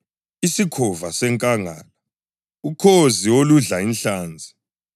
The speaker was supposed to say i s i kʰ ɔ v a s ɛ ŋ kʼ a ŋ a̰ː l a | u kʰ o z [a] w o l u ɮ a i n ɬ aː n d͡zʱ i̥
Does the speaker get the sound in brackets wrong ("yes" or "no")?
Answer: yes